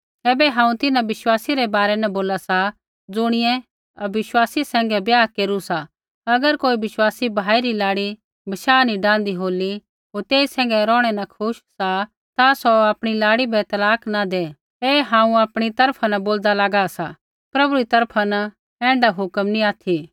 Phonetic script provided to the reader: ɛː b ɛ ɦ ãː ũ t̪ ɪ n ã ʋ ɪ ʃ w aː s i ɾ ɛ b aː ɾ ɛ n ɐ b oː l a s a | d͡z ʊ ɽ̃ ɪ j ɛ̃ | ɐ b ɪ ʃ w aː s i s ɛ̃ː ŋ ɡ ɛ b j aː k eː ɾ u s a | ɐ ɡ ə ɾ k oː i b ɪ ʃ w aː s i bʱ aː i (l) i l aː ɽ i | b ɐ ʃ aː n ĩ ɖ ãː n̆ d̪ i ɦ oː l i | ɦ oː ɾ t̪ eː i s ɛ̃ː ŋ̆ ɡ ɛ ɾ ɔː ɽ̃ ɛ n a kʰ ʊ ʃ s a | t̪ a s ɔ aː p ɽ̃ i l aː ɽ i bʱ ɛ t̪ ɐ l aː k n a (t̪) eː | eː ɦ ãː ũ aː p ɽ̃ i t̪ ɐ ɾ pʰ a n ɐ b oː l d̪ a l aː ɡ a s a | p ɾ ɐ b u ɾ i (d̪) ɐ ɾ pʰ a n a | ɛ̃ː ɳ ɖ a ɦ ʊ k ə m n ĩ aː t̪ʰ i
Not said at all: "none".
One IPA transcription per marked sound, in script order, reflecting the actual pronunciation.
ɾ, d̪, t̪

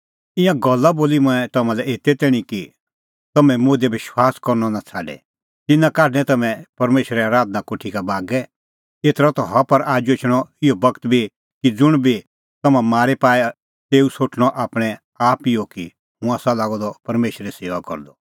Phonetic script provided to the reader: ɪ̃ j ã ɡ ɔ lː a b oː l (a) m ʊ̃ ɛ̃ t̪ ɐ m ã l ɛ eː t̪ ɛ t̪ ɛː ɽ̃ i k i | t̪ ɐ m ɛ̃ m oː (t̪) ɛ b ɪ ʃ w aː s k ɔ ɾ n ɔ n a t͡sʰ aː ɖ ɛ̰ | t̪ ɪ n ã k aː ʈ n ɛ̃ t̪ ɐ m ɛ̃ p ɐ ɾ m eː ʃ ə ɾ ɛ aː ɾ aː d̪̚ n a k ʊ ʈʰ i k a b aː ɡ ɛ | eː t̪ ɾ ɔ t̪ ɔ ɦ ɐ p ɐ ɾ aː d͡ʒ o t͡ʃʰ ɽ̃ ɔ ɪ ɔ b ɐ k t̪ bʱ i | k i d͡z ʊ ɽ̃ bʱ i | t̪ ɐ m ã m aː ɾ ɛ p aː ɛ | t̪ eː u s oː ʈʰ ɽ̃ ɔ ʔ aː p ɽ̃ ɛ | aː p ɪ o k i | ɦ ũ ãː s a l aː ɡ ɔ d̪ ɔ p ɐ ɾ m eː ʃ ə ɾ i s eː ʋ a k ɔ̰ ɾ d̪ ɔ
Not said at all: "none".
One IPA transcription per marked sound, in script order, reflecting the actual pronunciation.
i, d̪

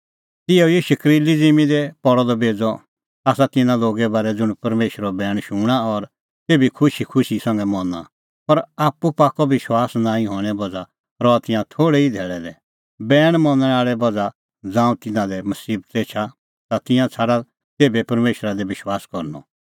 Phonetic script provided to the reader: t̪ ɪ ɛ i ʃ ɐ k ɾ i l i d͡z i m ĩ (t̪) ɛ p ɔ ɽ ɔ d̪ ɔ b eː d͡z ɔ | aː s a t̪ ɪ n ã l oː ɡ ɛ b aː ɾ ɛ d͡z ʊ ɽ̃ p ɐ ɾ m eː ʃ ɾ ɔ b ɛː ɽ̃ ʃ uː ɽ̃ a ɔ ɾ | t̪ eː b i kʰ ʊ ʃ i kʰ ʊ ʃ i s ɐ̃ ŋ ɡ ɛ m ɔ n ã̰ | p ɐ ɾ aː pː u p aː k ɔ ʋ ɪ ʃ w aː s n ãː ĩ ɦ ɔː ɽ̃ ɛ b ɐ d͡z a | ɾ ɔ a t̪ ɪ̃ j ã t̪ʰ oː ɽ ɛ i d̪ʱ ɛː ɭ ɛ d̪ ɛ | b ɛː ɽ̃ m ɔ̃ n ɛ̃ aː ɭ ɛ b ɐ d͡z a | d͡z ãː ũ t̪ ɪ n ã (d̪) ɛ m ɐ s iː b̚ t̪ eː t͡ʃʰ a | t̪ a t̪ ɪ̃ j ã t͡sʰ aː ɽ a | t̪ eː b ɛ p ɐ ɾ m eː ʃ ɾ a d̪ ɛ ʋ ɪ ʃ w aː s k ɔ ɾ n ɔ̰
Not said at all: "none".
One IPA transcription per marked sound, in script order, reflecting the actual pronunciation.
d̪, d̪

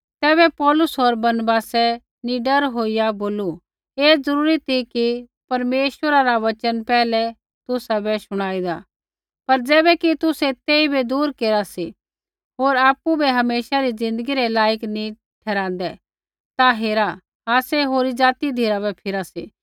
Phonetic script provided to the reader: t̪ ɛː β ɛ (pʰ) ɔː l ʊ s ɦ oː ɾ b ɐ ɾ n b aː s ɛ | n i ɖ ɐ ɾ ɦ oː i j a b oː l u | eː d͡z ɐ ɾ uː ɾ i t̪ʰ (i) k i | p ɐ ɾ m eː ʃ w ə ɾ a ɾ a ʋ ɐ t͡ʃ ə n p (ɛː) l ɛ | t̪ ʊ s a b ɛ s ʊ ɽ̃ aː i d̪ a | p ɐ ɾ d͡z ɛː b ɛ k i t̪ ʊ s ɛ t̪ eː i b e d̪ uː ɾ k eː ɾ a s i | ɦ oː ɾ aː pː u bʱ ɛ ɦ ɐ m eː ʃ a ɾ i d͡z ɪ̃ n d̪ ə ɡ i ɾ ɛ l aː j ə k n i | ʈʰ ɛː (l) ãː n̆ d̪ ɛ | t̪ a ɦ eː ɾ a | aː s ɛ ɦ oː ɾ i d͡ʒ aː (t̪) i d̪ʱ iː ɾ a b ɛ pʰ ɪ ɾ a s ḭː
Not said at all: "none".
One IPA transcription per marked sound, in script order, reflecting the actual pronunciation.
p, i, ɛː, ɾ, t̪

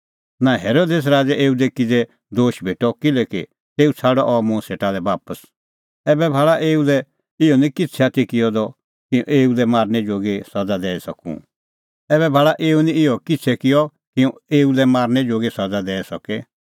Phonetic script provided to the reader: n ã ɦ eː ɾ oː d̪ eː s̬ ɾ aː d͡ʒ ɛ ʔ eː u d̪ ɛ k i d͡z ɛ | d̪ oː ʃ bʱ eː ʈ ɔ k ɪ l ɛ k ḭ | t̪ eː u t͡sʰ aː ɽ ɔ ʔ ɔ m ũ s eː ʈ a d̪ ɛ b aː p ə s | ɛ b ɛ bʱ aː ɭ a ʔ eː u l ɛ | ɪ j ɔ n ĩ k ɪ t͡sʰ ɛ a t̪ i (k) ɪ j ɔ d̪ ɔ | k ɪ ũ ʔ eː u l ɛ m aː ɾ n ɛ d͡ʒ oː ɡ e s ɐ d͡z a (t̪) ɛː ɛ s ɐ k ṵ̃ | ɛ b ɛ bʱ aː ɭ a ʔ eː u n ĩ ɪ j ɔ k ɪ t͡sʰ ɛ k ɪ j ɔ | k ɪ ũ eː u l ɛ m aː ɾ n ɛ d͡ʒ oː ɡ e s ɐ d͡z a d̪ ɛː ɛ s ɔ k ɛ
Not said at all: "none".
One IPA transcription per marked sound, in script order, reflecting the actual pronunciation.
k, d̪

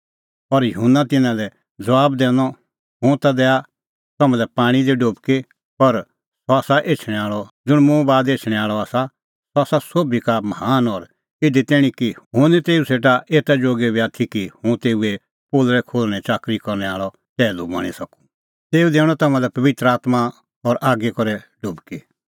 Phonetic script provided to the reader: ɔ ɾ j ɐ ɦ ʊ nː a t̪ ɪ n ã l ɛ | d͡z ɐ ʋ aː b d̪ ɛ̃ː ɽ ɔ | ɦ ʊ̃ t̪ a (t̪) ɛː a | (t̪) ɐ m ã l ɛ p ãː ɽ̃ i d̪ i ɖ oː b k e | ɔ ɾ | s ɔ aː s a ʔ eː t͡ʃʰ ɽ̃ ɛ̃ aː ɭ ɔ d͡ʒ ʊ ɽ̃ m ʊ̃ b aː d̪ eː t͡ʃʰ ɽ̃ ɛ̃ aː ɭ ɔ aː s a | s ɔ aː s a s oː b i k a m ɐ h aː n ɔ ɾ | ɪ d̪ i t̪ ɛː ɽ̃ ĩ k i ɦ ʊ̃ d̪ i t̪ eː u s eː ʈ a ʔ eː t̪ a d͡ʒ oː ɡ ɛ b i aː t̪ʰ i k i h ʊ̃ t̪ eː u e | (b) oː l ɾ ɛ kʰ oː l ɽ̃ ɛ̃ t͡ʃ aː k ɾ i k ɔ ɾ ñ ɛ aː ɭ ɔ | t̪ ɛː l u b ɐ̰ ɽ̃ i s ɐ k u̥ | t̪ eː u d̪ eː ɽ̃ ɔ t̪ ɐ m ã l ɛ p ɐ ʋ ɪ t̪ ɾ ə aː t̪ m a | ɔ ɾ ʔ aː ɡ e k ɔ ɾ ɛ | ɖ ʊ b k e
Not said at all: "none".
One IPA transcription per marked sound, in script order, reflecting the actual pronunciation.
d̪, t̪, p

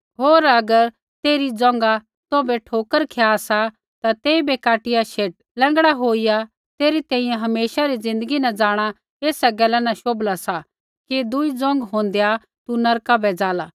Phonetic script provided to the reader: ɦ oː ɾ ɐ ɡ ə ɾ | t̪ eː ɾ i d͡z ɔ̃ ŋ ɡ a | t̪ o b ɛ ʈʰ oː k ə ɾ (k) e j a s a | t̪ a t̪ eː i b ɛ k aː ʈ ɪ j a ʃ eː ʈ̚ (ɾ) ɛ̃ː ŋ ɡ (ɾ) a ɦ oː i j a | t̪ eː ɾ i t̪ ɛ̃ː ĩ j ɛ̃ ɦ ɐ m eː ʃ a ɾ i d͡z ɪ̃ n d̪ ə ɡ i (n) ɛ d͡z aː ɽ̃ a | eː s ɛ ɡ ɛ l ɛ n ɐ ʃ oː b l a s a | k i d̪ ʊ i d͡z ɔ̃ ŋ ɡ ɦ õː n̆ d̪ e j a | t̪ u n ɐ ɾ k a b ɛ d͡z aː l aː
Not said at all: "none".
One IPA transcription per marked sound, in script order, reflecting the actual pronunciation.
kʰ, l, ɽ, n

